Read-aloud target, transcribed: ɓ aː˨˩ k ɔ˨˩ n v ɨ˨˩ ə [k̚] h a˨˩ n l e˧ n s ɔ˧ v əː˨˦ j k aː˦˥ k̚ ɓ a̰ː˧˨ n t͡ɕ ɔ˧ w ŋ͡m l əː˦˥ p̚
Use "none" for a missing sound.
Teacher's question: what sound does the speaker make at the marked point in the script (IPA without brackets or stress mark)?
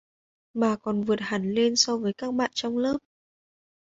t̚